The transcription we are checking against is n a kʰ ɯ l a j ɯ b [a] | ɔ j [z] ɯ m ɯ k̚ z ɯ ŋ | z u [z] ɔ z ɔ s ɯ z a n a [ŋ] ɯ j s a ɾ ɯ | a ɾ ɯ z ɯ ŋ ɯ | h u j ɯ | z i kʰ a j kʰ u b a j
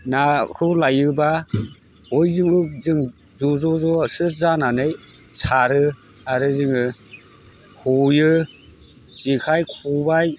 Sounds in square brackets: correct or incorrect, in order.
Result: correct, correct, correct, incorrect: n

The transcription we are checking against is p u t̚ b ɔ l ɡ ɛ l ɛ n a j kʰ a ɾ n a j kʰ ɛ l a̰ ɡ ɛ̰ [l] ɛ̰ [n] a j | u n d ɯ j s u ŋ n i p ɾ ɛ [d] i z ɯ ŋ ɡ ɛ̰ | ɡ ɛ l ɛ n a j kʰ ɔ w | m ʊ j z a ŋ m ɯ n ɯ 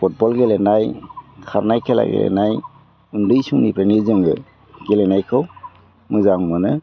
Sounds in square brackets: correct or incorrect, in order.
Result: correct, correct, incorrect: n

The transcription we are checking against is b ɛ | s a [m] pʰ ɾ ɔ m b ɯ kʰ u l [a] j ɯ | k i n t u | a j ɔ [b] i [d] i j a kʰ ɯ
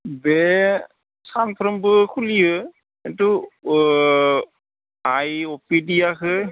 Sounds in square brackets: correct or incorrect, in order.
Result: incorrect: n, incorrect: i, incorrect: p, correct

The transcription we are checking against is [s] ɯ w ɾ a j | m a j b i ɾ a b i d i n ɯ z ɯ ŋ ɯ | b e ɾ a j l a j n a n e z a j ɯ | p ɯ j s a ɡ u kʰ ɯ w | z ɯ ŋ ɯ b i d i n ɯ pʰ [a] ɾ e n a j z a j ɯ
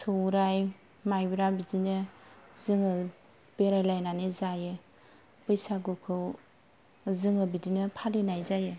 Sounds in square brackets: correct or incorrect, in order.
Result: correct, correct

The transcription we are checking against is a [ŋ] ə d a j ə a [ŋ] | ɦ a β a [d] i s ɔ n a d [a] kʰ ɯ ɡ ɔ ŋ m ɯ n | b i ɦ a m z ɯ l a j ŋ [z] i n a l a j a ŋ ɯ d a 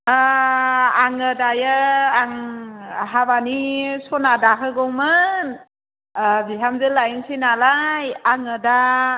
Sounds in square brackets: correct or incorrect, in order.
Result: correct, correct, incorrect: n, correct, incorrect: s

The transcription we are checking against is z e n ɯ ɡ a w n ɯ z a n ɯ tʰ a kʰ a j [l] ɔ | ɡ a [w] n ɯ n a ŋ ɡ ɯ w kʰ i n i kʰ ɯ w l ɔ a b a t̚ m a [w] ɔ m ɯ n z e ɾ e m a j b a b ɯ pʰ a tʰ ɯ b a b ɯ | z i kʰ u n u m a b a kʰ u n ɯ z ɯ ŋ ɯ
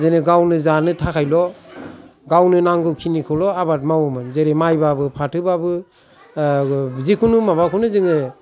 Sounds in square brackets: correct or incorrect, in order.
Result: correct, correct, correct

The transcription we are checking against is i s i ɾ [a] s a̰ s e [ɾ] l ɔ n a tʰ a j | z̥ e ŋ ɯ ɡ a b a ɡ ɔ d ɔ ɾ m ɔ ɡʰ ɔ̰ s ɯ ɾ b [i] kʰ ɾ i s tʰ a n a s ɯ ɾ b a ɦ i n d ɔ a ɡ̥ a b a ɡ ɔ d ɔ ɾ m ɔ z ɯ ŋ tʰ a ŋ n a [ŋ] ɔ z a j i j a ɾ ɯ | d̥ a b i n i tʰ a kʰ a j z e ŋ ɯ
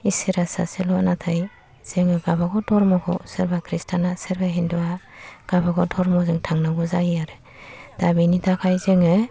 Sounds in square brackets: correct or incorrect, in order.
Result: correct, incorrect: none, incorrect: a, incorrect: ɡ

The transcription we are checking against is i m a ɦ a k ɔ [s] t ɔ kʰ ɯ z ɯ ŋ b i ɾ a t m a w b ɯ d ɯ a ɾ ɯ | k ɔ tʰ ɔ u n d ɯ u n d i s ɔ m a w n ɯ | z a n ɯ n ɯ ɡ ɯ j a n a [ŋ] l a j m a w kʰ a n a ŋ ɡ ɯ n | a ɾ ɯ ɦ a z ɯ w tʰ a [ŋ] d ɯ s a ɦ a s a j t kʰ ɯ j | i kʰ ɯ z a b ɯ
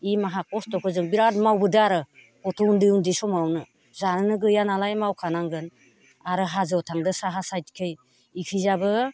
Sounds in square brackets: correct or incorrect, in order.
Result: correct, incorrect: none, correct

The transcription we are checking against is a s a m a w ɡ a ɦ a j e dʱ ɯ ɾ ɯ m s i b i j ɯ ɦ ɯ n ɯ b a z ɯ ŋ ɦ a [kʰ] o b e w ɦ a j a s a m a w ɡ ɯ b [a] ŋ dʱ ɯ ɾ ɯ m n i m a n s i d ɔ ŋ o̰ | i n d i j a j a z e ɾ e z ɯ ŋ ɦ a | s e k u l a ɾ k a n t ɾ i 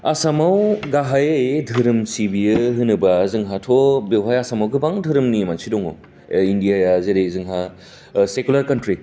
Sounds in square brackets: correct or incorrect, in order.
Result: incorrect: tʰ, correct

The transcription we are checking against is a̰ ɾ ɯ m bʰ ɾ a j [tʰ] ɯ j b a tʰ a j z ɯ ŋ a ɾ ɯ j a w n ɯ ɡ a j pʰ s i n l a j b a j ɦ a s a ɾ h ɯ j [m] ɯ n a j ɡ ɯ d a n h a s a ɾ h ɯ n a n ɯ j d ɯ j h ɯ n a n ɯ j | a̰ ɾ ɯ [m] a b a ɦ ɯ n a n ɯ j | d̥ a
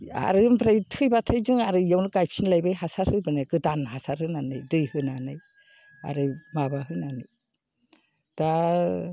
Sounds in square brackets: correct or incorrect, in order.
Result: correct, incorrect: b, correct

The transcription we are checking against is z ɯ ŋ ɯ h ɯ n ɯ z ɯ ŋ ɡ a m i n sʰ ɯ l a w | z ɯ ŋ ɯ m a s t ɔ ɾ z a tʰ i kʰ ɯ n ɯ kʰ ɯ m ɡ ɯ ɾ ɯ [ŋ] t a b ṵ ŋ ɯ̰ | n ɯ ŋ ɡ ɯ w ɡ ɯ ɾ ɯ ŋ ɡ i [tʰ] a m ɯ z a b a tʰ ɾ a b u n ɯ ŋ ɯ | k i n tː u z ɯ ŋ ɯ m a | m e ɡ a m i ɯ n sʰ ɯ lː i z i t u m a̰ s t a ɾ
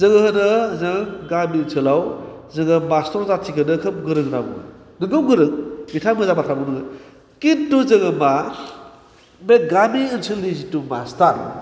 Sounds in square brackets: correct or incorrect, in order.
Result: correct, correct

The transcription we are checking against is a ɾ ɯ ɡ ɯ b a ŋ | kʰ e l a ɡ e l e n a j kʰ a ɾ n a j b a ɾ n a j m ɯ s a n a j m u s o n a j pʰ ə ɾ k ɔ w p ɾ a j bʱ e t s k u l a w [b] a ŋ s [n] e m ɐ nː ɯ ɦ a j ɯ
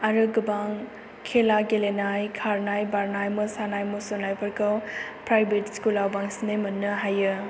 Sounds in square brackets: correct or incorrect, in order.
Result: correct, correct

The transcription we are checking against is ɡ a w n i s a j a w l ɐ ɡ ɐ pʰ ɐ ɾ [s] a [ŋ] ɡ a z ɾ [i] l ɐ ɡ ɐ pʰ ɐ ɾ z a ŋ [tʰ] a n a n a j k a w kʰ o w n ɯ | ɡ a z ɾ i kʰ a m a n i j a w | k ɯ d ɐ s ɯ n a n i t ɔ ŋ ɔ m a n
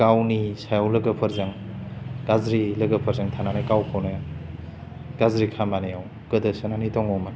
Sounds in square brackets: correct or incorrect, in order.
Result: incorrect: z, correct, correct, correct

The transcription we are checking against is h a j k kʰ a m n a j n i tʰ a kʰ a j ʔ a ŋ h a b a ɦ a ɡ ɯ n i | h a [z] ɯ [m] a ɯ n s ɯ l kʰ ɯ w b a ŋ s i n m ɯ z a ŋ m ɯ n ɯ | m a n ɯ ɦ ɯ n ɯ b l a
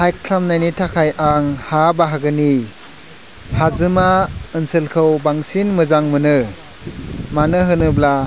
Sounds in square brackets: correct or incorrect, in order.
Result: correct, correct

